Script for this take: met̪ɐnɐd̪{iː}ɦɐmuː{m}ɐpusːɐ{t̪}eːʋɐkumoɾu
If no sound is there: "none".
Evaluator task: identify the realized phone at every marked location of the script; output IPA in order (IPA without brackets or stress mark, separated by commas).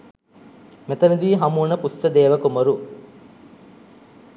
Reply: iː, n, d̪